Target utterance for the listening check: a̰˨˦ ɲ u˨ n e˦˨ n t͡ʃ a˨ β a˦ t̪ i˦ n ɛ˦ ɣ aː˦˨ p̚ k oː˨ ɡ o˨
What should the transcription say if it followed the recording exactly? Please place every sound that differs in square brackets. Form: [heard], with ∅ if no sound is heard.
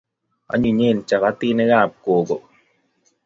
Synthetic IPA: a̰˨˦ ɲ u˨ [ɲ] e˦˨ n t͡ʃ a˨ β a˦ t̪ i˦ n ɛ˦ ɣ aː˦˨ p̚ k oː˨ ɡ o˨